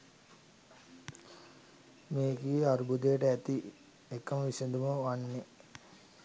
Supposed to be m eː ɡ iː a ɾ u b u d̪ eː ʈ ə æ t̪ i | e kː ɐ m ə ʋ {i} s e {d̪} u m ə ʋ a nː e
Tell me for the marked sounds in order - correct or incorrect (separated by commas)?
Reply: correct, correct